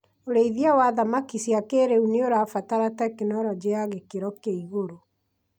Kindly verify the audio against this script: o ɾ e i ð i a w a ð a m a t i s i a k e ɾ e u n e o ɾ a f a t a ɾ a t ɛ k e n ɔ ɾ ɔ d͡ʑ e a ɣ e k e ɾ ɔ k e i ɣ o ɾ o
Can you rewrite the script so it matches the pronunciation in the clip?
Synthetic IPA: o ɾ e i ð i a w a ð a m a k i s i a k e ɾ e u n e o ɾ a f a t a ɾ a t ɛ k e n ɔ ɾ ɔ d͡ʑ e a ɣ e k e ɾ ɔ k e i ɣ o ɾ o